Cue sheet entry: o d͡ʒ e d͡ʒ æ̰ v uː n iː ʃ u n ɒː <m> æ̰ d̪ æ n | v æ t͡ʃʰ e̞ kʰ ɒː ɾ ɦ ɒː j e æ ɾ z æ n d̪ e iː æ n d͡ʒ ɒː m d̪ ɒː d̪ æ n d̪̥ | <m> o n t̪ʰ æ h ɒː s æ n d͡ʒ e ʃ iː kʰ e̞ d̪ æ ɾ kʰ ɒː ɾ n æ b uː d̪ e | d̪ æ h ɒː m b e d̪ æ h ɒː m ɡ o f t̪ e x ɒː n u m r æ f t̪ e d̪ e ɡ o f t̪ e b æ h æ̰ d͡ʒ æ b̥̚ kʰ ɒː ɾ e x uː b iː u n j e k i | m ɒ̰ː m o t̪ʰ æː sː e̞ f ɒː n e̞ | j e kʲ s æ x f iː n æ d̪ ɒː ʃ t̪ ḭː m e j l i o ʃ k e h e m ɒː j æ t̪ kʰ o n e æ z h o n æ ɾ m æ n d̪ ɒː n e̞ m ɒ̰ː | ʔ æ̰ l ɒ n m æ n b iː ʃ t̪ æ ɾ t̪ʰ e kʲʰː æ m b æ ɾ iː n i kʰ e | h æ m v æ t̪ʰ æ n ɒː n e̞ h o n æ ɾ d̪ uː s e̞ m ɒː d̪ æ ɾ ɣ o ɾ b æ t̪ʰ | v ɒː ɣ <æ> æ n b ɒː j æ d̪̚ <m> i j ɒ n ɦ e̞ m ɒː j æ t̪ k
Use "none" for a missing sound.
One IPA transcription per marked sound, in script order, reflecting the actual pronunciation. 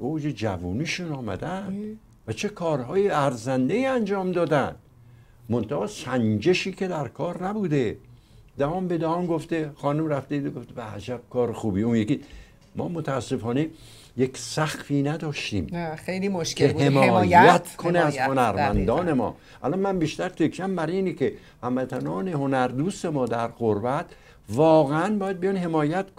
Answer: m, m, e, b

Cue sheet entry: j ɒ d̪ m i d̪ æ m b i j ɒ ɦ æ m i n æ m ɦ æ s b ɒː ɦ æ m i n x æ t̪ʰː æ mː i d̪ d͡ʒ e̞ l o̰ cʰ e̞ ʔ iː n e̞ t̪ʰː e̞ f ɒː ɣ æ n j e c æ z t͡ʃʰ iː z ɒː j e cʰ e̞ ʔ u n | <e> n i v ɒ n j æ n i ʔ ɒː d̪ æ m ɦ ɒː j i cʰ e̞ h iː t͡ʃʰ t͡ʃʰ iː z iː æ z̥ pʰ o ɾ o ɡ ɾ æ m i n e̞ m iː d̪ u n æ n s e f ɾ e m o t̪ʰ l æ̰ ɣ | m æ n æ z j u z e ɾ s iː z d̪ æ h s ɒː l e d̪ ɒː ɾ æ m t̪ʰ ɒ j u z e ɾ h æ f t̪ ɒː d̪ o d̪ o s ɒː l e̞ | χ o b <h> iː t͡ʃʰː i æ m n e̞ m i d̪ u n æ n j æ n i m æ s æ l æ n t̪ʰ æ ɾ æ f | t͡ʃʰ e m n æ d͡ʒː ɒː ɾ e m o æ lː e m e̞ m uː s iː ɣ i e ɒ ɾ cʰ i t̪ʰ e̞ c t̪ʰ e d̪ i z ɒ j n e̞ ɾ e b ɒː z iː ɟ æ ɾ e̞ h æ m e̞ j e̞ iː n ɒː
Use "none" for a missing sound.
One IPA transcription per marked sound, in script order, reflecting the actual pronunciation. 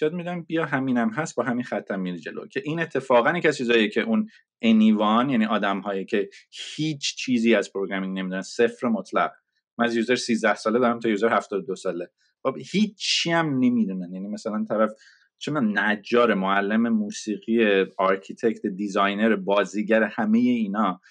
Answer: e, h

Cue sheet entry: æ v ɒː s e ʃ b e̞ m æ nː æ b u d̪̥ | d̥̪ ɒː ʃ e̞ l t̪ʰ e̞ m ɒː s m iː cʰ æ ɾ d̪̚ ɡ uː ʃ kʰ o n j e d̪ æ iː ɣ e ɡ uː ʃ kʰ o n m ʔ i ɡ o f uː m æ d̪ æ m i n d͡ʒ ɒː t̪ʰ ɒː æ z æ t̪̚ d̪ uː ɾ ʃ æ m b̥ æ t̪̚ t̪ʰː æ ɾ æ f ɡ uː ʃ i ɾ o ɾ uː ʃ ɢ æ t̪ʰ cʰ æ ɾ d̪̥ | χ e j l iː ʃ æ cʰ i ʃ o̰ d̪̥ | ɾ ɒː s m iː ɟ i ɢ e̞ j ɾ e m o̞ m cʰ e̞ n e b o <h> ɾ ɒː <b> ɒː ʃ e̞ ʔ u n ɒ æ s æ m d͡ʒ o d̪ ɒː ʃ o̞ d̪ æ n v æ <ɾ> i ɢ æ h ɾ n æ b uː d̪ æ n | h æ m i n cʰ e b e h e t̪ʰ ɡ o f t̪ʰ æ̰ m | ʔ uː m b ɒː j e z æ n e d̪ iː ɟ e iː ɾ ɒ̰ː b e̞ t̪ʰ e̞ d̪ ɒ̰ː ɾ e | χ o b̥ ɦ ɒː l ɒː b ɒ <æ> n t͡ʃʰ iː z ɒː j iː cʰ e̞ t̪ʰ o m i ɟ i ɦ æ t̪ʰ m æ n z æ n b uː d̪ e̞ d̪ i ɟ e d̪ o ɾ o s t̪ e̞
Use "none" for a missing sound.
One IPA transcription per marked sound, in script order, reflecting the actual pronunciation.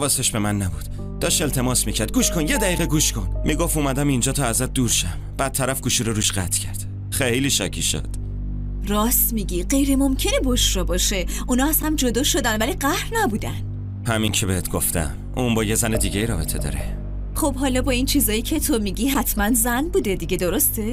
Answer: ʃ, b, l, i

